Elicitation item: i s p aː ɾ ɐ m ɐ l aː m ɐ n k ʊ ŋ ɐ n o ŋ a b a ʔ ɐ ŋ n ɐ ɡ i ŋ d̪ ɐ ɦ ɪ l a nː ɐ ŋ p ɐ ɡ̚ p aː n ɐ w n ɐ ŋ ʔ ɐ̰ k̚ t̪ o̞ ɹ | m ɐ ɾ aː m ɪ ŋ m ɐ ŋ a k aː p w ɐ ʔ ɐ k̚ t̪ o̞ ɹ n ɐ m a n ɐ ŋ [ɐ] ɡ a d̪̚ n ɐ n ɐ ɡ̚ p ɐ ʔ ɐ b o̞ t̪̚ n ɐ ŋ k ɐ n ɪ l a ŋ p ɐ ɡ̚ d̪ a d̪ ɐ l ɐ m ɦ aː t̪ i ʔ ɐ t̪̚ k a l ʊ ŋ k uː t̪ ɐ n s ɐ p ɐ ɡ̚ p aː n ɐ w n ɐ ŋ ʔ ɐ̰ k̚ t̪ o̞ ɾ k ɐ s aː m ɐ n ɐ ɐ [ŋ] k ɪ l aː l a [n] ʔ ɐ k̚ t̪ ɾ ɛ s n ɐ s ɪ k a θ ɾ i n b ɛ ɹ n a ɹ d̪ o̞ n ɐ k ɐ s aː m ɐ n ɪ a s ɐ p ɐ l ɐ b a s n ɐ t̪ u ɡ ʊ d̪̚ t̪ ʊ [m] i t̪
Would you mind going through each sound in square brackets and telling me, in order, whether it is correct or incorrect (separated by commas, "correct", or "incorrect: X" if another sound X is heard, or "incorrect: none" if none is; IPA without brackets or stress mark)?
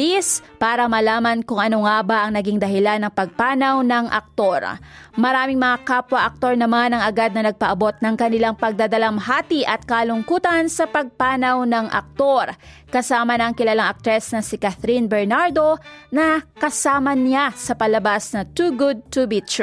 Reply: correct, correct, incorrect: ŋ, incorrect: b